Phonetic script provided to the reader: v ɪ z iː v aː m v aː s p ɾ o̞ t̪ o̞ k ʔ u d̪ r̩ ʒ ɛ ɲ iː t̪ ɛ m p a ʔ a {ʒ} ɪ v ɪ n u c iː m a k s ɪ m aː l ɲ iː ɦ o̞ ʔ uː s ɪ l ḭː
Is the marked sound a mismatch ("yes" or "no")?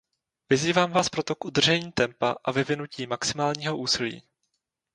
yes